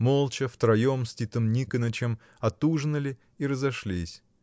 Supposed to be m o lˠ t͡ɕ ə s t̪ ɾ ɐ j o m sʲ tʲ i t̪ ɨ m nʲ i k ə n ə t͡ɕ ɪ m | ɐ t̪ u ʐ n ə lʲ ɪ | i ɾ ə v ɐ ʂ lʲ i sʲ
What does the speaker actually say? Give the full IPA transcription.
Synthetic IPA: m o lˠ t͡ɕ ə f t̪ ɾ ɐ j o m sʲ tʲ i t̪ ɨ m nʲ i k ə n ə t͡ɕ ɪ m | ɐ t̪ u ʐ n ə lʲ ɪ | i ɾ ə z ɐ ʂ lʲ i sʲ

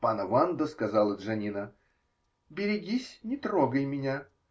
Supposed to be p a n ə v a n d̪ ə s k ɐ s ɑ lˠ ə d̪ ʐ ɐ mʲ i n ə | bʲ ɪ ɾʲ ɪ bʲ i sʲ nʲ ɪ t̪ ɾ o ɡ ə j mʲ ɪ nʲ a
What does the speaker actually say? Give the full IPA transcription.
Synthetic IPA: p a n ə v a n d̪ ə s k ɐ z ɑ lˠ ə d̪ ʐ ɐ nʲ i n ə | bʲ ɪ ɾʲ ɪ ɡʲ i sʲ nʲ ɪ t̪ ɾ o ɡ ə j mʲ ɪ nʲ a

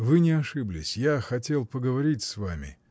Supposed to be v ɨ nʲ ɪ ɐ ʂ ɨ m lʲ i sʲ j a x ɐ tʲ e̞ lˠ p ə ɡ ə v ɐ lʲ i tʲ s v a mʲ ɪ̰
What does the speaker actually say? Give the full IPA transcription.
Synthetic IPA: v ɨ nʲ ɪ ɐ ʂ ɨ b lʲ ɪ sʲ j a x ɐ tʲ e̞ lˠ p ə ɡ ə v ɐ ɾʲ i tʲ s v a mʲ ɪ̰

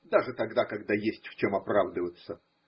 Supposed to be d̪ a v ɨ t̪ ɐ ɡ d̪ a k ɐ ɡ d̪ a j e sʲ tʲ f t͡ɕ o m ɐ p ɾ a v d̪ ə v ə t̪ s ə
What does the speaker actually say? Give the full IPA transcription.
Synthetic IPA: d̪ a ʐ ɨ t̪ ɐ ɡ d̪ a k ɐ ɡ d̪ a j e sʲ tʲ f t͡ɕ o m ɐ p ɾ a v d̪ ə v ə t̪ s ə

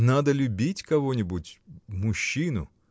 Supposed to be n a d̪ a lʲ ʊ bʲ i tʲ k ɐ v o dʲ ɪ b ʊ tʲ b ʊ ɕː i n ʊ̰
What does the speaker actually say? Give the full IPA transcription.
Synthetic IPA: n a d̪ ə lʲ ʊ bʲ i tʲ k ɐ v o nʲ ɪ b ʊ tʲ m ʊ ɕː i n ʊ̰

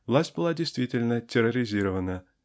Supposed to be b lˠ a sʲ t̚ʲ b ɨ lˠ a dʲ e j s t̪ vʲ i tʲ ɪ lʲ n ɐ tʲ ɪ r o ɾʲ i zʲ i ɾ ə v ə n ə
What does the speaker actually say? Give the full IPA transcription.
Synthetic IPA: v lˠ a sʲ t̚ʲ b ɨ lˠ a dʲ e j s t̪ vʲ i tʲ ɪ lʲ n ə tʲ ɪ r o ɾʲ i zʲ i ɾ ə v ə n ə

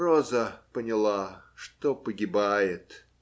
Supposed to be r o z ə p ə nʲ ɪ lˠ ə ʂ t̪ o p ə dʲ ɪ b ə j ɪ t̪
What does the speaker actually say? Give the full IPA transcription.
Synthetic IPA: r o z ə p ə nʲ ɪ lˠ a ʂ t̪ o p ə ɡʲ ɪ b a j ɪ t̪

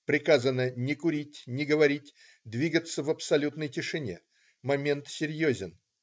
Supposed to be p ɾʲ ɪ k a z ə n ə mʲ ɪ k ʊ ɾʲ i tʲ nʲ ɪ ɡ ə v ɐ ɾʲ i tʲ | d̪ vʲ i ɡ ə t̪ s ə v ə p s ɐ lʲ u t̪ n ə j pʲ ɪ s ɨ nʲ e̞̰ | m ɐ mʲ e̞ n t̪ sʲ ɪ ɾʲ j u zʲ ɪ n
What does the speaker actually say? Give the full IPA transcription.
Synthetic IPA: p ɾʲ ɪ k a z ə n ə nʲ ɪ k ʊ ɾʲ i tʲ nʲ ɪ ɡ ə v ɐ ɾʲ i tʲ | d̪ vʲ i ɡ ə t̪ s ə v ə p s ɐ lʲ u t̪ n ə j tʲ ɪ ʂ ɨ nʲ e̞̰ | m ɐ mʲ e̞ n t̪ sʲ ɪ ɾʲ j o zʲ ɪ n

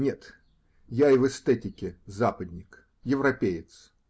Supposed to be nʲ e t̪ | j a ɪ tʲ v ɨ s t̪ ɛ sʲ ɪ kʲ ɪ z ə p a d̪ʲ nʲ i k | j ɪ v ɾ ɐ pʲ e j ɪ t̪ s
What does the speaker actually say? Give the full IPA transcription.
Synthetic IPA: nʲ e t̪ | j a ɪ v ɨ s t̪ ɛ tʲ ɪ kʲ ɪ z a p ə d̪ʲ nʲ ɪ k | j ɪ v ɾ ɐ pʲ e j ɪ t̪ s

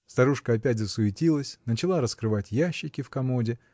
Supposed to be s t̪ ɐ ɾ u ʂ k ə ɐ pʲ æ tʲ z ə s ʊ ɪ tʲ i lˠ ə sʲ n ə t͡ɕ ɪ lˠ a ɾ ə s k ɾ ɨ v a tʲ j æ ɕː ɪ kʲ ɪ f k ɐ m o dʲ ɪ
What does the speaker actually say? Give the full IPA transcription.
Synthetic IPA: s t̪ ɐ ɾ u ʂ k ə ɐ pʲ æ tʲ z ə s ʊ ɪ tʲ i lˠ ə sʲ n ə t͡ɕ ɪ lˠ a ɾ ə s k ɾ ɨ v a tʲ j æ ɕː ɪ kʲ ɪ f k ɐ m o dʲ ɪ

